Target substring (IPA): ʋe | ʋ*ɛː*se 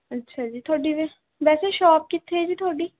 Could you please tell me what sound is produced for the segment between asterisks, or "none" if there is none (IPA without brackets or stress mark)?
ɛː